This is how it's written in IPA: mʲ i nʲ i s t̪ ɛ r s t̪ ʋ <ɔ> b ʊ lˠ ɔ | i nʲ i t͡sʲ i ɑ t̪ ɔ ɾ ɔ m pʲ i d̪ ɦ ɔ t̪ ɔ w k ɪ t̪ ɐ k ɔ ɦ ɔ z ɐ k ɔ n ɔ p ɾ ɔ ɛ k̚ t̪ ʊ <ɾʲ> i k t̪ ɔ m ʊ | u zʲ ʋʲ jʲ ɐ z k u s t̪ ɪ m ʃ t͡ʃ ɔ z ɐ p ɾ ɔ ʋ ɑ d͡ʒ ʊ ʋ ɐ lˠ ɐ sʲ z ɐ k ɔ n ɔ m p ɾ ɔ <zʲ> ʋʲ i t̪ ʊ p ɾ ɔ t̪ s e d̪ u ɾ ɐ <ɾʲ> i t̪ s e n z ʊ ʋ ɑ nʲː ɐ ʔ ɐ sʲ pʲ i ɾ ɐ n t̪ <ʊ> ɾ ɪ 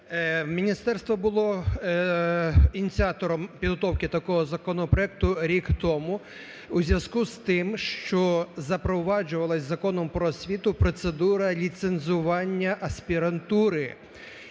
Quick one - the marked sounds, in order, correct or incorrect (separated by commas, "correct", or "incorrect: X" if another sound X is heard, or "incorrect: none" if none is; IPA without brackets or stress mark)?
correct, correct, incorrect: sʲ, incorrect: lʲ, incorrect: u